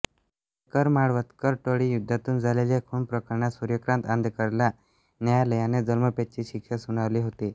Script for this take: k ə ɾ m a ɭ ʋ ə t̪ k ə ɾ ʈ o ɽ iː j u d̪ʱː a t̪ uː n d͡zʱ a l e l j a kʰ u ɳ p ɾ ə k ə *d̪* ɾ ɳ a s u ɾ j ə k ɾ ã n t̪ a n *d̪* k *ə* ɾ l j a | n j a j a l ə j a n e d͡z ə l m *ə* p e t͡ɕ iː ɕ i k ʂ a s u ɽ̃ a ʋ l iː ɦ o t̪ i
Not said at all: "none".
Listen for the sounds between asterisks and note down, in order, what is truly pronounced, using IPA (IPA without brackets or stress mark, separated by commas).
none, d̪, ə, ə